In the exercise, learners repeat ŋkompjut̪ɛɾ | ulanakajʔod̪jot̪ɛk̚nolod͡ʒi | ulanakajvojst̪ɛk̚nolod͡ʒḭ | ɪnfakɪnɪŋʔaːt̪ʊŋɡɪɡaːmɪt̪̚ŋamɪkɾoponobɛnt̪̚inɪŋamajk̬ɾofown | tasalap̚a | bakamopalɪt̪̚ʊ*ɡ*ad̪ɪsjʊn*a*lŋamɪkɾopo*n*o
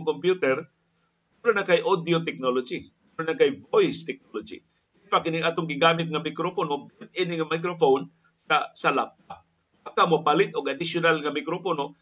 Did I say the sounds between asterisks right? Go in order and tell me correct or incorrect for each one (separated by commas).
correct, correct, correct